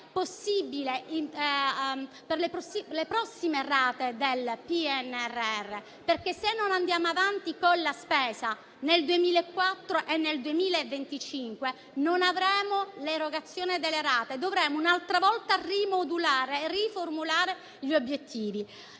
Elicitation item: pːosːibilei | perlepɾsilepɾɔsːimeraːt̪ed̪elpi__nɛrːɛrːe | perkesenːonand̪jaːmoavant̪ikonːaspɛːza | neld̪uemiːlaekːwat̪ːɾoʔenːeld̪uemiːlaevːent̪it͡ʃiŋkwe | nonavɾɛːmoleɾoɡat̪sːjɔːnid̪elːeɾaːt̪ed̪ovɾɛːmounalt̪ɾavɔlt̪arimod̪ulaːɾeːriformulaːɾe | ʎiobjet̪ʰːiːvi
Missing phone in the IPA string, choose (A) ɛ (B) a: A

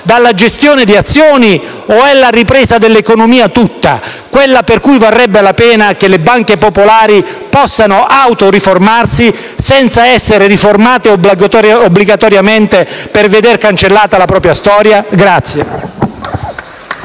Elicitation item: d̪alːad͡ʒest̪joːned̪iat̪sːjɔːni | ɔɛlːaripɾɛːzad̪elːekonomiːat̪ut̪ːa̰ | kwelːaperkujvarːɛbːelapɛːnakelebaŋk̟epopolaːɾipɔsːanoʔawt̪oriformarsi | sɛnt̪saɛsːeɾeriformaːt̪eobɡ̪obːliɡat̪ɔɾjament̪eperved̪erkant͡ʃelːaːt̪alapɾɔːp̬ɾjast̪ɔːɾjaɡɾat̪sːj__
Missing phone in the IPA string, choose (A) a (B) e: B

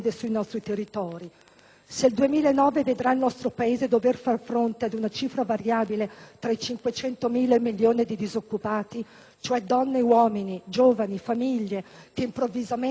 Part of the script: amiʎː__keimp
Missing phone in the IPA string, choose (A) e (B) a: A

